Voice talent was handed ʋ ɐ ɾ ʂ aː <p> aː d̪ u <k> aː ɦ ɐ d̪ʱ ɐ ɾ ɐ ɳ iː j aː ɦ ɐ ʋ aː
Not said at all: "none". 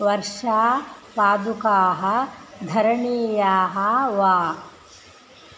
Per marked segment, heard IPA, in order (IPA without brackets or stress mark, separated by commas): p, k